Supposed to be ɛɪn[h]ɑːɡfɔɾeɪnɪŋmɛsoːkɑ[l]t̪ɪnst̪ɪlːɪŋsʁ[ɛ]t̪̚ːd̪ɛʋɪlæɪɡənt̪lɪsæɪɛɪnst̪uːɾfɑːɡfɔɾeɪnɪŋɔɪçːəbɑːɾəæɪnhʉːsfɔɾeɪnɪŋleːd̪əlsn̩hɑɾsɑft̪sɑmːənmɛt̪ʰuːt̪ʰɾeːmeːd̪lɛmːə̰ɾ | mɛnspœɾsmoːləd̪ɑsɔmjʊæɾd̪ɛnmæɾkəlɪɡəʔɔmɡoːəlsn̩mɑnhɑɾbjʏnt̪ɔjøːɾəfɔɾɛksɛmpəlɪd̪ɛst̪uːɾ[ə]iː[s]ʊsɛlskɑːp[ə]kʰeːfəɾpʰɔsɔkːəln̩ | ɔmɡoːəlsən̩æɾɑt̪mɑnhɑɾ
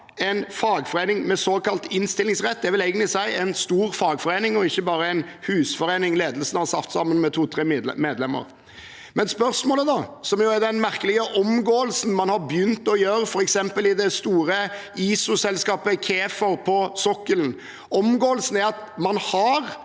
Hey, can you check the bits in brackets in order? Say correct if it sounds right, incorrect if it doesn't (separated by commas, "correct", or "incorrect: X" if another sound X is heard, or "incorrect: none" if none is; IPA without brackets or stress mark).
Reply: incorrect: f, correct, correct, correct, correct, correct